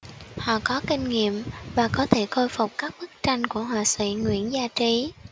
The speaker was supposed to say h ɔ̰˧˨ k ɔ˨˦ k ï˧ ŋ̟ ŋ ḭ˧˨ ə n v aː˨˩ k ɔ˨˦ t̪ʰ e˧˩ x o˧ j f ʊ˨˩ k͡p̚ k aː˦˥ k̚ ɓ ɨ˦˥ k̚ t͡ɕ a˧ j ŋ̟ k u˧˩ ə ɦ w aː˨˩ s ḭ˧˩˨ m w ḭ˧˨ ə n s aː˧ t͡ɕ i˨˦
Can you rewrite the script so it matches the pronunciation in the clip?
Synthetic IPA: h ɔ̰˧˨ k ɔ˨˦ k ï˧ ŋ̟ ŋ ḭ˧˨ ə m v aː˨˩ k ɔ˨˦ t̪ʰ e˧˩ x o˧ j f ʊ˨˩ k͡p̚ k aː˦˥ k̚ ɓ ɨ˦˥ k̚ t͡ɕ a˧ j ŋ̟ k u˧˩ ə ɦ w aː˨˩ s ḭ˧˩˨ ŋ w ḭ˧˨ ə n z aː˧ t͡ɕ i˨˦

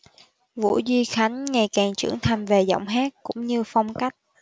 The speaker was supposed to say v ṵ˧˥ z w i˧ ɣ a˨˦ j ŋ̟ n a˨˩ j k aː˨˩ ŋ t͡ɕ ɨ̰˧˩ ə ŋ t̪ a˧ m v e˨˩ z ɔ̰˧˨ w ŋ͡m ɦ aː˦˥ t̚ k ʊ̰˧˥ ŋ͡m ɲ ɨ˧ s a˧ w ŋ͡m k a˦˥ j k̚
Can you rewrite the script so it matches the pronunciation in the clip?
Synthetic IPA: v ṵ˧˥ z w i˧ x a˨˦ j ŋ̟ ŋ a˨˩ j k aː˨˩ ŋ t͡ɕ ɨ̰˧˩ ə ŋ t̪ʰ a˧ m v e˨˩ z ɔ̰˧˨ w ŋ͡m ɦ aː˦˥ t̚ k ʊ̰˧˥ ŋ͡m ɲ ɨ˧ f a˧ w ŋ͡m k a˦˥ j k̚

